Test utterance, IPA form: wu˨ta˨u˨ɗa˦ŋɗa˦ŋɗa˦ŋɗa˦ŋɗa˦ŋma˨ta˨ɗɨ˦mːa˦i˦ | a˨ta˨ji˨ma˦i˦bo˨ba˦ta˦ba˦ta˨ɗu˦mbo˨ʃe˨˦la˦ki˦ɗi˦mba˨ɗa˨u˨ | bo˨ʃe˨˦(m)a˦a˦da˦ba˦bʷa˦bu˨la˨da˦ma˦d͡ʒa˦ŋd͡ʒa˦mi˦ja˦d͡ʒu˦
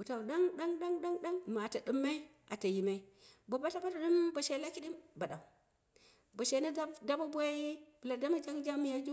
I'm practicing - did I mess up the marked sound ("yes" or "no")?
yes